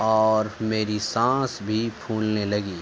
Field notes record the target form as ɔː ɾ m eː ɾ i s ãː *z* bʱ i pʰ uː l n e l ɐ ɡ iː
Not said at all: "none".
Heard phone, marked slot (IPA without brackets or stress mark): s